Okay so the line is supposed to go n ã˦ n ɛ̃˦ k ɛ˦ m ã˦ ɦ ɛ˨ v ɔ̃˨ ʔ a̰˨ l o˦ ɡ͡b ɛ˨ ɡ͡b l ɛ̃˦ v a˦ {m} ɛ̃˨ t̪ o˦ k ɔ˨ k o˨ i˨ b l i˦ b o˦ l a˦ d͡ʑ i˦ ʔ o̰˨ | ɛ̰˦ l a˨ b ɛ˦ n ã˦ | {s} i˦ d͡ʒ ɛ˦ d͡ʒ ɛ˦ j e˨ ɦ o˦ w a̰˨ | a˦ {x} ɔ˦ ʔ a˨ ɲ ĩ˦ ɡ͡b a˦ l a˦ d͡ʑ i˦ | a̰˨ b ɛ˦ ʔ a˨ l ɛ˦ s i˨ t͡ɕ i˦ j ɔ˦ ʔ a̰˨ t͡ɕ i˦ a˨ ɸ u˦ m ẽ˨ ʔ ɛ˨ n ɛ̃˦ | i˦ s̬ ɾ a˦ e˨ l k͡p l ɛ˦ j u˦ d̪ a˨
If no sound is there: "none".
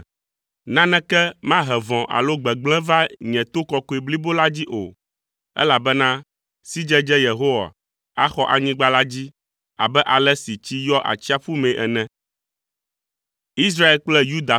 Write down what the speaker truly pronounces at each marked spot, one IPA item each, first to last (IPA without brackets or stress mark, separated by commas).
ɲ, s, x